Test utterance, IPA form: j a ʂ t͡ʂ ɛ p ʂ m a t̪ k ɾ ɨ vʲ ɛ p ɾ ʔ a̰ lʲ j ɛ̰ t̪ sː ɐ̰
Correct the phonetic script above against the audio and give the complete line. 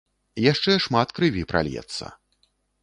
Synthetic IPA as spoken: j a ʂ t͡ʂ ɛ ʂ m a t̪ k ɾ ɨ vʲ i p ɾ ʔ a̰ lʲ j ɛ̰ t̪ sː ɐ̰

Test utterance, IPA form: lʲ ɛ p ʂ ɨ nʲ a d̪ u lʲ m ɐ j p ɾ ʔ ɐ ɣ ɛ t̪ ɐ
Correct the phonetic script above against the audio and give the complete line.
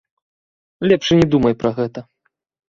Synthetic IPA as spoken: lʲ ɛ p ʂ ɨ nʲ ɛ d̪ u m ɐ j p ɾ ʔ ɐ ɣ ɛ t̪ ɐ

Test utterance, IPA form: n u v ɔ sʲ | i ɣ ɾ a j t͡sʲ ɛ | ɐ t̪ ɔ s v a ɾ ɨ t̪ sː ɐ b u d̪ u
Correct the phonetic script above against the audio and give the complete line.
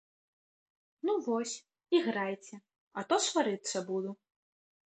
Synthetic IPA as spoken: n u v ɔ sʲ | i ɣ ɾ a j t͡sʲ ɛ | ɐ t̪ ɔ s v a ɾ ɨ t̪ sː ɐ b u d̪ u

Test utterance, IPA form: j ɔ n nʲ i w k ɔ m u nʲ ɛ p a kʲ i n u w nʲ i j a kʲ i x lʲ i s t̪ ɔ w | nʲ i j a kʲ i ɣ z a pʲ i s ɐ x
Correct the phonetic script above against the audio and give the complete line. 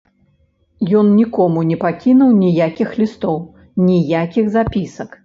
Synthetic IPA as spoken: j ɔ n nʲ i k ɔ m u nʲ ɛ p a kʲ i n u w nʲ i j a kʲ i x lʲ i s t̪ ɔ w | nʲ i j a kʲ i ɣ z a pʲ i s ɐ k

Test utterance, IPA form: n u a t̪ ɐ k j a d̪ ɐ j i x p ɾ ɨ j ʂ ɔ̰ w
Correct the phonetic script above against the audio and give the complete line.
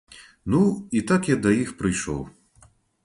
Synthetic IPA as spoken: n u i t̪ a k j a d̪ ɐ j i x p ɾ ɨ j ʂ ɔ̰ w

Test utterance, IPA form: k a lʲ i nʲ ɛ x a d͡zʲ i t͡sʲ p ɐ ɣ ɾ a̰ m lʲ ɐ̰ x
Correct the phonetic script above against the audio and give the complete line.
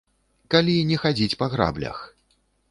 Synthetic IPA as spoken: k a lʲ i nʲ ɛ x a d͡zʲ i t͡sʲ p ɐ ɣ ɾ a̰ b lʲ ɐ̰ x

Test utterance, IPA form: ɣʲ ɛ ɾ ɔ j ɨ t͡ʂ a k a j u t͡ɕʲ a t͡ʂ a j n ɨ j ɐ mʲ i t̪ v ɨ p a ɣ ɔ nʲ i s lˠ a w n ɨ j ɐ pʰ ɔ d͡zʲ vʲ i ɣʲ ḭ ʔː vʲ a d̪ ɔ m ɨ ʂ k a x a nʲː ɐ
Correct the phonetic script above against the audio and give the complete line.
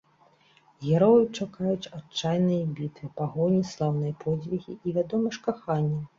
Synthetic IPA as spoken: ɣʲ ɛ ɾ ɔ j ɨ t͡ʂ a k a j u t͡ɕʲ a t͡ʂ a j n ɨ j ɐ bʲ i t̪ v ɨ p a ɣ ɔ nʲ i s lˠ a w n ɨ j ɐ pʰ ɔ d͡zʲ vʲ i ɣʲ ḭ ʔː vʲ a d̪ ɔ m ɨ ʂ k a x a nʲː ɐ

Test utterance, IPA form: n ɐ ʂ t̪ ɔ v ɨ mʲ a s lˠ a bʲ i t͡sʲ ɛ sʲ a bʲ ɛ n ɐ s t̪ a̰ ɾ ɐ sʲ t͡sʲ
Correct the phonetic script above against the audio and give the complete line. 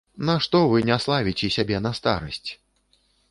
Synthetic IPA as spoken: n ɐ ʂ t̪ ɔ v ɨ nʲ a s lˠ a vʲ i t͡sʲ ɛ sʲ a bʲ ɛ n ɐ s t̪ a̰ ɾ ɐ sʲ t͡sʲ

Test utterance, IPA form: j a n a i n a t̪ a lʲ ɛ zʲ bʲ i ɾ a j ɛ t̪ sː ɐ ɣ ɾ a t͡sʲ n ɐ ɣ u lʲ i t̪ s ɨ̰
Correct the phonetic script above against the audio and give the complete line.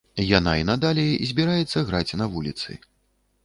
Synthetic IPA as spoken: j a n a i n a d̪ a lʲ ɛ zʲ bʲ i ɾ a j ɛ t̪ sː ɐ ɣ ɾ a t͡sʲ n ɐ v u lʲ i t̪ s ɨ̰

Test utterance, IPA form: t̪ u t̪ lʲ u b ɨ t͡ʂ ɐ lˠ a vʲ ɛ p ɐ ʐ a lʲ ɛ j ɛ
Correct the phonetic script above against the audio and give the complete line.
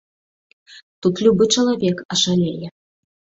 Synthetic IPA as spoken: t̪ u t̪ lʲ u b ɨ t͡ʂ ɐ lˠ a vʲ ɛ k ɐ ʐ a lʲ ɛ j ɛ

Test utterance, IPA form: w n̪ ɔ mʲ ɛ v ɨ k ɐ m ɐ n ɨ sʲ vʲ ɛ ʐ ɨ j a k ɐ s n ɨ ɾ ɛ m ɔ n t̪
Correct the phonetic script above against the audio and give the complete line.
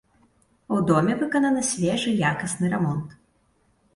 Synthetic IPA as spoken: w d̪ ɔ mʲ ɛ v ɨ k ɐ n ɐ n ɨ sʲ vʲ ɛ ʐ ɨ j a k ɐ s n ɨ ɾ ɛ m ɔ n t̪

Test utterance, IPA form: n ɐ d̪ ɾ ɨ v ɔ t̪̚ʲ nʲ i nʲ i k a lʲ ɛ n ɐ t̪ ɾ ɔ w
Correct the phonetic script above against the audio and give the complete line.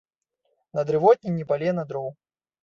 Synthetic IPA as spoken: n ɐ d̪ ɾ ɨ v ɔ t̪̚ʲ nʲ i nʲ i p a lʲ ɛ n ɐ d̪ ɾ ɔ w

